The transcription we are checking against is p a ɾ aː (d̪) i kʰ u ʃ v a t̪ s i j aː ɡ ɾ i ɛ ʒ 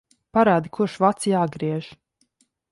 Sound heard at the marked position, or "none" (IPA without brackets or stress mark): d̪